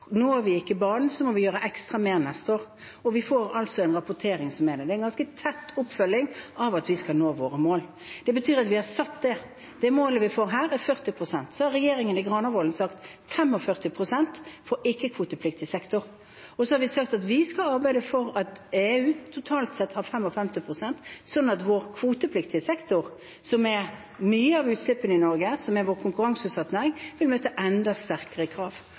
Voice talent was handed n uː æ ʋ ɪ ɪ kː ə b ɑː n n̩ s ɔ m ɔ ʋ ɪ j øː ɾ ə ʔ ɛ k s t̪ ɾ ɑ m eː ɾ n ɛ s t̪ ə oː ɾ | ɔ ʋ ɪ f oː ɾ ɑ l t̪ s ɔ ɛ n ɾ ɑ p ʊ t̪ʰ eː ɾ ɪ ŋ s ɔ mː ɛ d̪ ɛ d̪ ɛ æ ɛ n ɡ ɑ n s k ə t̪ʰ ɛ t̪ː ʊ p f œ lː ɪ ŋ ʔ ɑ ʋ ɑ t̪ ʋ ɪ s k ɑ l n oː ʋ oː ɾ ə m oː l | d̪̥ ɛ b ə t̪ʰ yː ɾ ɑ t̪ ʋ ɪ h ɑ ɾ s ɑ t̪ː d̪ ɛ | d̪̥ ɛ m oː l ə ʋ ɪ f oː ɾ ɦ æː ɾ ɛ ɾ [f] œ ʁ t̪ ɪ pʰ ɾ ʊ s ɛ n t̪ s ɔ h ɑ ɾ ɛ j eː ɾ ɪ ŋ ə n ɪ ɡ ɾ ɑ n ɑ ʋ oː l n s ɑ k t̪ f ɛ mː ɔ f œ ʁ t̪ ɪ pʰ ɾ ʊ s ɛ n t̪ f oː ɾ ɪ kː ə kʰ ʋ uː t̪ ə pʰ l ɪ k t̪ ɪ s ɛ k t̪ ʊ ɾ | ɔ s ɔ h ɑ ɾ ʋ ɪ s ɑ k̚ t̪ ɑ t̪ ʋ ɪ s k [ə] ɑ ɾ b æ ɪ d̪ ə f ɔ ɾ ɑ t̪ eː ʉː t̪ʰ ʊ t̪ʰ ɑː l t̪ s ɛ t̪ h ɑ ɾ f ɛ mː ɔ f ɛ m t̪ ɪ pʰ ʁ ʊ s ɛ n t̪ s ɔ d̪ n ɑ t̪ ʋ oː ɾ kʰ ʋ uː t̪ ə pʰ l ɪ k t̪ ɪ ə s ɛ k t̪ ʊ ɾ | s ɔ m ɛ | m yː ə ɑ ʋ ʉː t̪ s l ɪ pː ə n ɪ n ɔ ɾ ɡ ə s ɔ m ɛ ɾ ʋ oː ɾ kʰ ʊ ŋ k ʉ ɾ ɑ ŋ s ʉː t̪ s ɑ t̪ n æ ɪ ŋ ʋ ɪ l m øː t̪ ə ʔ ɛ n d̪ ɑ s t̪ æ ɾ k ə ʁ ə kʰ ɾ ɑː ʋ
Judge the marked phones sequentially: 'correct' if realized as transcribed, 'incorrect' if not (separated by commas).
correct, incorrect